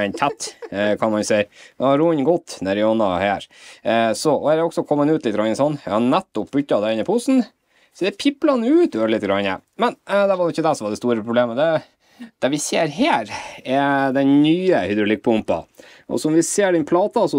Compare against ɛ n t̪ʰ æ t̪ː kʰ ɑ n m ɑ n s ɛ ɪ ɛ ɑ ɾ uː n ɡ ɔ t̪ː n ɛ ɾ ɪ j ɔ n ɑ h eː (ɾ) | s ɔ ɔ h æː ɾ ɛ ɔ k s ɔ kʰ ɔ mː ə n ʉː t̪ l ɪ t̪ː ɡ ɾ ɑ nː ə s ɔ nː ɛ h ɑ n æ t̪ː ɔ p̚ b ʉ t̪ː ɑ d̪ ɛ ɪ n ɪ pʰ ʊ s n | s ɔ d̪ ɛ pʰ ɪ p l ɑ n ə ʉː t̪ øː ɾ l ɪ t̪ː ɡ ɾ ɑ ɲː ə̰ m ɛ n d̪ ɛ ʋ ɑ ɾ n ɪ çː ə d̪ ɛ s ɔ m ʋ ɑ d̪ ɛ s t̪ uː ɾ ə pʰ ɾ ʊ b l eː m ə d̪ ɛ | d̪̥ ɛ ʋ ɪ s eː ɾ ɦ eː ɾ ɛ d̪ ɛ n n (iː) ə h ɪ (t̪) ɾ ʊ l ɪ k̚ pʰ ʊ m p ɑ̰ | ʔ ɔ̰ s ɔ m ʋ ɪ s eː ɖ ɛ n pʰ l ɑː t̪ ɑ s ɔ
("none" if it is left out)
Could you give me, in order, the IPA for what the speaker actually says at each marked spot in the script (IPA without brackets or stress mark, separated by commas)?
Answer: ɾ, yː, d̪